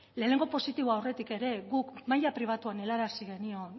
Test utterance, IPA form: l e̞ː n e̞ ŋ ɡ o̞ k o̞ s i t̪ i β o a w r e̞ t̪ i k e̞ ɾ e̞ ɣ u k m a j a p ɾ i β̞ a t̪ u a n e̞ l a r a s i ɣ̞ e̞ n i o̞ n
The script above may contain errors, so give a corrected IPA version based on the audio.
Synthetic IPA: l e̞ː n e̞ ŋ ɡ o̞ p o̞ s i t̪ i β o a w r e̞ t̪ i k e̞ ɾ e̞ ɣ u k m a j a p ɾ i β̞ a t̪ u a n e̞ l a ɾ a s i ɣ̞ e̞ n i o̞ n